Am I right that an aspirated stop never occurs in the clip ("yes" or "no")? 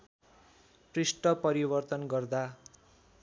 yes